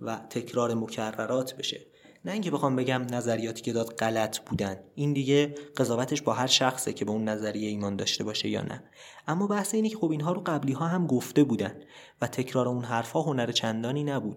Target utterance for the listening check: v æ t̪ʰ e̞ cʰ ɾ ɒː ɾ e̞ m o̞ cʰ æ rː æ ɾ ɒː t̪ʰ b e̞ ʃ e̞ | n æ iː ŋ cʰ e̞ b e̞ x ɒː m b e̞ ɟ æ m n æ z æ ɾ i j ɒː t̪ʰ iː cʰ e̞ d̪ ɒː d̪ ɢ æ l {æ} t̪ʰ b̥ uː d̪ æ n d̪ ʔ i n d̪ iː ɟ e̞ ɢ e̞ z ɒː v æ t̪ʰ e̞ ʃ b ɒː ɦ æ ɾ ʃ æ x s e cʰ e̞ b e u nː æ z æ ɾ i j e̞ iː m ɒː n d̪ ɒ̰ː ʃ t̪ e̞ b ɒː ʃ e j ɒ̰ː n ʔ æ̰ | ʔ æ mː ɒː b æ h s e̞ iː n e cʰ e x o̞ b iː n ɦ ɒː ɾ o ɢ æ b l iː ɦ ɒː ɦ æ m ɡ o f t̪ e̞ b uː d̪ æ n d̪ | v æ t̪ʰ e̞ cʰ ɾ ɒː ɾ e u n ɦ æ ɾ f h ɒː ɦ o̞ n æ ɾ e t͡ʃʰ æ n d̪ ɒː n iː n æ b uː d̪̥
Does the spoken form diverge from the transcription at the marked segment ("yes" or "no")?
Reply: no